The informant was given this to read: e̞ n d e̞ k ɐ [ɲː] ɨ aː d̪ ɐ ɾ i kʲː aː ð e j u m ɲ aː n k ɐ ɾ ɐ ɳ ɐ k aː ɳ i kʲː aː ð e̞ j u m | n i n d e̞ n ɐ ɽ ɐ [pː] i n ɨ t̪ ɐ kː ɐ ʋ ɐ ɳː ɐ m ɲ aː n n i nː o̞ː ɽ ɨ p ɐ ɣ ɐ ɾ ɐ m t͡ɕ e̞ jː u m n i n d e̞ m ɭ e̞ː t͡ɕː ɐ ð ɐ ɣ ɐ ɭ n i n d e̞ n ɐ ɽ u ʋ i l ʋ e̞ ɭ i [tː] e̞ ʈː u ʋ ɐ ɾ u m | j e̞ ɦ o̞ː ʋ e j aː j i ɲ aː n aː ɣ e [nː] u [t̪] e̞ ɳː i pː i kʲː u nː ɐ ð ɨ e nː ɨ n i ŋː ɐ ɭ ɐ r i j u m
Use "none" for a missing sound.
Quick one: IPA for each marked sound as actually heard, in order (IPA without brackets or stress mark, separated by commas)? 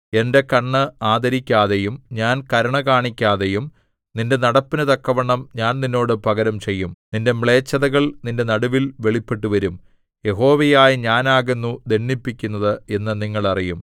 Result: ɳː, pː, pː, nː, d̪